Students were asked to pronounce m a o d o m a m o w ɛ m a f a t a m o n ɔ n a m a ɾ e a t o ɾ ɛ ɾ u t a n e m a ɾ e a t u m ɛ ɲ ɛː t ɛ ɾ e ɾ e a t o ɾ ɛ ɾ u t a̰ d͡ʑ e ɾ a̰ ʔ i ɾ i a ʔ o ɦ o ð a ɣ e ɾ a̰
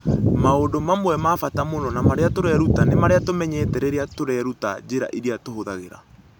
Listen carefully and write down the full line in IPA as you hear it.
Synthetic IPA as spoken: m a o d o m a m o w ɛ m a f a t a m o n ɔ n a m a ɾ e a t o ɾ ɛ ɾ u t a n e m a ɾ e a t o m ɛ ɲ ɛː t ɛ ɾ e ɾ e a t o ɾ ɛ ɾ u t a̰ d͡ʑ e ɾ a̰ ʔ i ɾ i a t o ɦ o ð a ɣ e ɾ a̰

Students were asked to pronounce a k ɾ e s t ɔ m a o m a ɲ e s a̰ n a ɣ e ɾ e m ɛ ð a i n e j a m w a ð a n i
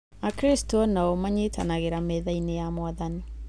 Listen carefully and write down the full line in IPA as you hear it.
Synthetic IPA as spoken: a k ɾ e s t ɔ n a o m a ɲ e t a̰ n a ɣ e ɾ a m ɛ ð a i n e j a m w a ð a n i

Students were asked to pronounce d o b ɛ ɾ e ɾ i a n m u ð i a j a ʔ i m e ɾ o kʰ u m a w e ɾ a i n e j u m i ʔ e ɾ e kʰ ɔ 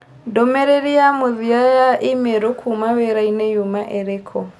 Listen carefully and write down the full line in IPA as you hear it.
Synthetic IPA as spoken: d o m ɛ ɾ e ɾ i a m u ð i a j a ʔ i m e ɾ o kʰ u m a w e ɾ a i n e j u m a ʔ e ɾ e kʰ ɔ

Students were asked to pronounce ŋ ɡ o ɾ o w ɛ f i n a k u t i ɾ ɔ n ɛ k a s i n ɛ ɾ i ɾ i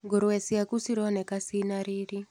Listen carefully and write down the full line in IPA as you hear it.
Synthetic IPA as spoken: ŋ ɡ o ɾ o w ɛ s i a k u s i ɾ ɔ n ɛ k a s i n a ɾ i ɾ i

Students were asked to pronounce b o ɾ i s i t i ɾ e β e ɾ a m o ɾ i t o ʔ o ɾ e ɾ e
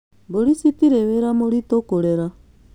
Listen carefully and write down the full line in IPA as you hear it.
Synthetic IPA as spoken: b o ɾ i s i t i ɾ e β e ɾ a m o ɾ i t o k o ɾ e ɾ a

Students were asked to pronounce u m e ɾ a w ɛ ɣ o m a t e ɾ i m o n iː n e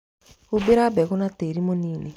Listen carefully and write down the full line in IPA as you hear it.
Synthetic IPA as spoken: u b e ɾ a b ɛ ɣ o n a t e ɾ i m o n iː n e

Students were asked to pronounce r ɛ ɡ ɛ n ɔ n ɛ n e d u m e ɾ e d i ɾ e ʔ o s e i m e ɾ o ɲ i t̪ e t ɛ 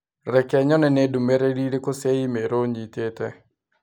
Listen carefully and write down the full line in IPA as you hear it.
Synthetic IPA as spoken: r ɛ k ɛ ɲ ɔ n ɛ n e d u m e ɾ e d i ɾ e k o s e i m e ɾ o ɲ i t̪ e t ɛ

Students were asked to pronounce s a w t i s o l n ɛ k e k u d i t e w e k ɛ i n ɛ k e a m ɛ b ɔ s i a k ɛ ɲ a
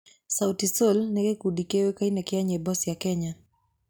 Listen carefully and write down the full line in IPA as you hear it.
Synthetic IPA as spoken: s a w t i s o l n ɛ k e k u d i k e w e k a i n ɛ k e a ɲ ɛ b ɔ s j a k ɛ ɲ a

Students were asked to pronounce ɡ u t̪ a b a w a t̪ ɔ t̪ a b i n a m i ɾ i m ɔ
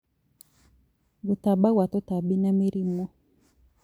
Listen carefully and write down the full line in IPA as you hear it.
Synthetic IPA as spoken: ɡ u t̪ a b a w a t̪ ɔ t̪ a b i n a m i ɾ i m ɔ

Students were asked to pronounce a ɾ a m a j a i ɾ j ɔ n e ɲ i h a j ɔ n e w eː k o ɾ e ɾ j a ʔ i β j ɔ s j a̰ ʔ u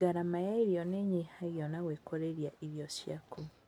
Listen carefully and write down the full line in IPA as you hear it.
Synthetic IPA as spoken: a ɾ a m a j a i ɾ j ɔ n e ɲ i h a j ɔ n a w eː k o ɾ e ɾ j a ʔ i β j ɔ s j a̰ k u

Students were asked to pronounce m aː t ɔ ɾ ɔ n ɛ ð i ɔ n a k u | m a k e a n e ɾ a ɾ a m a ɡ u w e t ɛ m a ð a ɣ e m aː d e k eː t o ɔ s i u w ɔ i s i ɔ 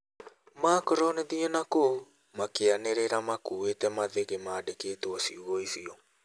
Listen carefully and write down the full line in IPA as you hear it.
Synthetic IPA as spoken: m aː k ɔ ɾ ɔ n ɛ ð i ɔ n a k o | m a k e a n e ɾ e ɾ a m a k u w e t ɛ m a ð e ɣ e m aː d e k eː t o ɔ s i u ɣ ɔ i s i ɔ

